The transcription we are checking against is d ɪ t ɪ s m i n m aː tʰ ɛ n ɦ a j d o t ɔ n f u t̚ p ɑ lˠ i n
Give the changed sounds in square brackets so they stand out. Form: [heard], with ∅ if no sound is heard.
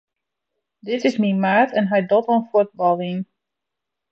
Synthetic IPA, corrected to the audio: d ɪ t ɪ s m i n m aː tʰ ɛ n ɦ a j d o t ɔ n f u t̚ [b] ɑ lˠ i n